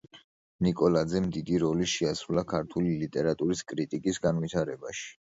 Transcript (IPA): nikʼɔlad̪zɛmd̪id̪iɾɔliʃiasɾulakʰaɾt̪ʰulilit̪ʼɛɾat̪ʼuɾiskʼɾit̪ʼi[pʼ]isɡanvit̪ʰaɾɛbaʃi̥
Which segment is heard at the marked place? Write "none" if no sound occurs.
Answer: kʼ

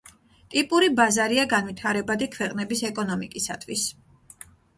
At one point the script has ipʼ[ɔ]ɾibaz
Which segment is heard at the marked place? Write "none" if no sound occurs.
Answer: u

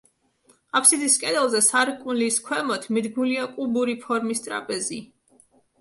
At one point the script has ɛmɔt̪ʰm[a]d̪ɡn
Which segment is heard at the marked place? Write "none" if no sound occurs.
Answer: i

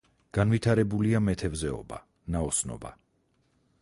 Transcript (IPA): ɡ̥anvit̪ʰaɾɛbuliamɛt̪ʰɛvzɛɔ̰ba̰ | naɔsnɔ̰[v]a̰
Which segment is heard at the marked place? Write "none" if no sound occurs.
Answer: b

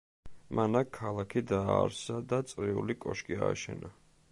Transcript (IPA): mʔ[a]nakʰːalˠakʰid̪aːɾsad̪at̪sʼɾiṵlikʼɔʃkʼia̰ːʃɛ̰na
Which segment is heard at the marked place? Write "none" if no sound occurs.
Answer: a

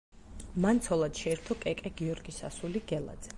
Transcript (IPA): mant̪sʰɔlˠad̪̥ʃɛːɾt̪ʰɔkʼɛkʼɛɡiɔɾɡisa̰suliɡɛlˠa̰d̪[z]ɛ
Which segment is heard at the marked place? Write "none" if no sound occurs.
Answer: z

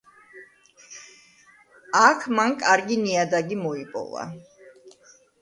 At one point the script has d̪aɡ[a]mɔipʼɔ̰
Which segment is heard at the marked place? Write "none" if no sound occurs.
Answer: i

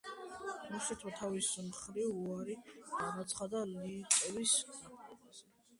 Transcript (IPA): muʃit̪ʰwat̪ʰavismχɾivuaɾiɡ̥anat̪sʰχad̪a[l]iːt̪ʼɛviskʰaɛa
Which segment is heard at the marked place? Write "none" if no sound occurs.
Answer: l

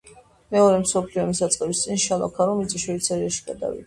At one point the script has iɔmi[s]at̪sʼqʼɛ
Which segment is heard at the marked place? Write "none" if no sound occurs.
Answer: s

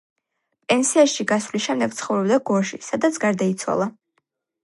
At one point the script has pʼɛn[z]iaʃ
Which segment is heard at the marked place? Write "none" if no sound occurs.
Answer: s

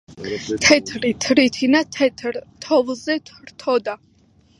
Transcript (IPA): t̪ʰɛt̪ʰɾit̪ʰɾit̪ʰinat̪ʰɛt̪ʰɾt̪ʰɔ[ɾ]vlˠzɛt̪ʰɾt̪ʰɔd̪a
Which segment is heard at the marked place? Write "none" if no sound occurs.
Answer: none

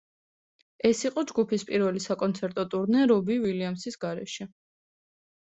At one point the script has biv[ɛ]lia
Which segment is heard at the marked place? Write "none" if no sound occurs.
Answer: i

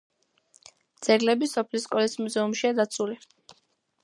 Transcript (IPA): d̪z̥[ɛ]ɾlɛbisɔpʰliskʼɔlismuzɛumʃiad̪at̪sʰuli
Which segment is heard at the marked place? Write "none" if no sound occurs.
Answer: ɛ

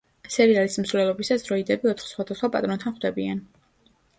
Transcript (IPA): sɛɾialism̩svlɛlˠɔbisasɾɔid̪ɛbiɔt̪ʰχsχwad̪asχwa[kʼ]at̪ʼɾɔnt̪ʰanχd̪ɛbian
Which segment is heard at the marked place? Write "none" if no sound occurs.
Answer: pʼ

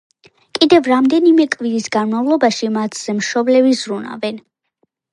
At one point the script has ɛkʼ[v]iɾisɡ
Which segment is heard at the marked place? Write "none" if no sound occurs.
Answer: v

